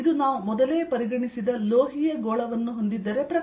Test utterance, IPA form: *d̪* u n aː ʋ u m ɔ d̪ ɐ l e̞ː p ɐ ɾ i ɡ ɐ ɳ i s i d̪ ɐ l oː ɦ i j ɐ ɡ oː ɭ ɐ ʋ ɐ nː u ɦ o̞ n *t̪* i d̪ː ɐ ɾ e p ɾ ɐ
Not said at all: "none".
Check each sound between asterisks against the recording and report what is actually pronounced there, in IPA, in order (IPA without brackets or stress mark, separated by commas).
d̪, d̪